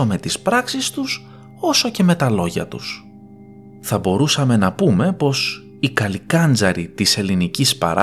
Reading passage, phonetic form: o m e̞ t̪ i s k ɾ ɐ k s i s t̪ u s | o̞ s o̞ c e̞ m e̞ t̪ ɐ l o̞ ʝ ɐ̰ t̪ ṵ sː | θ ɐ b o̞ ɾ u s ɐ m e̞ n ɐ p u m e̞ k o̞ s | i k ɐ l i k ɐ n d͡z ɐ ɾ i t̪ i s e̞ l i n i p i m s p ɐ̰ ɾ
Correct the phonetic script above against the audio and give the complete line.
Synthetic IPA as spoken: o m e̞ t̪ i s p ɾ ɐ k s i s t̪ u s | o̞ s o̞ c e̞ m e̞ t̪ ɐ l o̞ ʝ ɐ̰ t̪ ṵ s | θ ɐ b o̞ ɾ u s ɐ m e̞ n ɐ p u m e̞ p o̞ s | i k ɐ l i k ɐ n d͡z ɐ ɾ i t̪ i s e̞ l i n i c i s p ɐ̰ ɾ